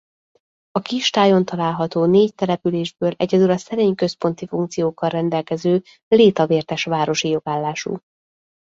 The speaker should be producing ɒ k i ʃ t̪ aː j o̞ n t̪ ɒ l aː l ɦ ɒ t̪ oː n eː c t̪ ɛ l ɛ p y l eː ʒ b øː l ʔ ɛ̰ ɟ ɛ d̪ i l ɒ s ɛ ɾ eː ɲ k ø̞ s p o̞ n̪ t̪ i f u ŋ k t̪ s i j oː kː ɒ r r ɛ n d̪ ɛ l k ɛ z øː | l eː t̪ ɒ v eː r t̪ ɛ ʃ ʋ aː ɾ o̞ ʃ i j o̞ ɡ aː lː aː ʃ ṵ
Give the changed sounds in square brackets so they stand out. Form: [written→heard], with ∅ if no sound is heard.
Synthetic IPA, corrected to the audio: ɒ k i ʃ t̪ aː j o̞ n t̪ ɒ l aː l ɦ ɒ t̪ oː n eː c t̪ ɛ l ɛ p y l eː ʒ b øː l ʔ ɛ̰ ɟ ɛ d̪ [i→y] l ɒ s ɛ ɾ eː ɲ k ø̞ s p o̞ n̪ t̪ i f u ŋ k t̪ s i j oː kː ɒ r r ɛ n d̪ ɛ l k ɛ z øː | l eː t̪ ɒ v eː r t̪ ɛ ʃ ʋ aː ɾ o̞ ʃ i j o̞ ɡ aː lː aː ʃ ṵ